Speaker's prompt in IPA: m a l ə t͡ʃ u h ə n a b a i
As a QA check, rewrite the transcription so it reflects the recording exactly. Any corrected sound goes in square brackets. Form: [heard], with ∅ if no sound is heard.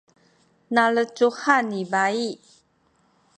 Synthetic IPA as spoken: [n] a l ə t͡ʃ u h [a] n [i] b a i